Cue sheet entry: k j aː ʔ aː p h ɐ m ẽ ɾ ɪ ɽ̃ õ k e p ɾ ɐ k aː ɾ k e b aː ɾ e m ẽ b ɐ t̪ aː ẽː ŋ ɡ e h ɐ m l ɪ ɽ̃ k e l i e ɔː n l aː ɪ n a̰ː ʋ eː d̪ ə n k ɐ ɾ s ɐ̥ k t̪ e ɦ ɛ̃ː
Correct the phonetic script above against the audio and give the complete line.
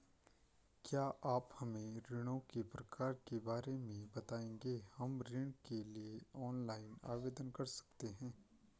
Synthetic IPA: k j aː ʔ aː p h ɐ m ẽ ɾ ɪ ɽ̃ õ k e p ɾ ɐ k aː ɾ k e b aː ɾ e m ẽ b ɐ t̪ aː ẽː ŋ ɡ e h ɐ m ɾ ɪ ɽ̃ k e l i e ɔː n l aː ɪ n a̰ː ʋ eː d̪ ə n k ɐ ɾ s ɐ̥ k t̪ e ɦ ɛ̃ː